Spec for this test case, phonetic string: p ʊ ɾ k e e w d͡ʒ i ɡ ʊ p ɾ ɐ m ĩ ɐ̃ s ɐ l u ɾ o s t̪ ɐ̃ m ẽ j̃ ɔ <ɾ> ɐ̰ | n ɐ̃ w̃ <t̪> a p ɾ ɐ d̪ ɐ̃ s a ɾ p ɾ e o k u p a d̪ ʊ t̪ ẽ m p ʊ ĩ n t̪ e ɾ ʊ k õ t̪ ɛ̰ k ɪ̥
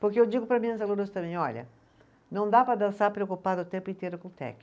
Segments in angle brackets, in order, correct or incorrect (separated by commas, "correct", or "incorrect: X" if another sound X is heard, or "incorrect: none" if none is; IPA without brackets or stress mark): incorrect: ʎ, incorrect: d̪